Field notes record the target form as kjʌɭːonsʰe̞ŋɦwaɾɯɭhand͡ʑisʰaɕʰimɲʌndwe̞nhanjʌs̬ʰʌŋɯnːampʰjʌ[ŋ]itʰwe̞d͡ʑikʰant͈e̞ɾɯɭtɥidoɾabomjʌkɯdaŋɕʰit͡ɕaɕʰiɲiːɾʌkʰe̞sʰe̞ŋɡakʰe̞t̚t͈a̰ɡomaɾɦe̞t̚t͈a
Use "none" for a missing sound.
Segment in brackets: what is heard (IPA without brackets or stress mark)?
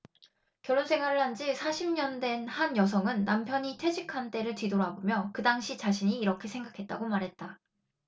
ɲ